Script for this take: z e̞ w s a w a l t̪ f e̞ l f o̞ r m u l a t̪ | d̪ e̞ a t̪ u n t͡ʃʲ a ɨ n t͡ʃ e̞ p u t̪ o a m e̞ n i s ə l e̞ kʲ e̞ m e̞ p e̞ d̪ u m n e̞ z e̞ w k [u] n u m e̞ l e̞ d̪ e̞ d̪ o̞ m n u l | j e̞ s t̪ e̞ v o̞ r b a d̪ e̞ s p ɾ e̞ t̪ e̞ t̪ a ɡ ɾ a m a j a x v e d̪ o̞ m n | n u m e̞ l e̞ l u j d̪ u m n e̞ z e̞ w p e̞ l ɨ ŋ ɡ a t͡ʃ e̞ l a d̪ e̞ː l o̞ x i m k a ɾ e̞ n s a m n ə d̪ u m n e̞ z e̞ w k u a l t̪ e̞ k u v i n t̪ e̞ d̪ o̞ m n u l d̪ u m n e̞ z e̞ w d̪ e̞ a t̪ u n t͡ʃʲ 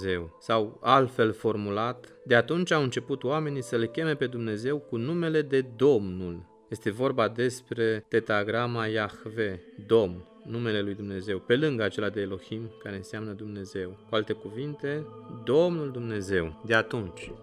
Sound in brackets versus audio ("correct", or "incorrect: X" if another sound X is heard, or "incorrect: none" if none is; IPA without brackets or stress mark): correct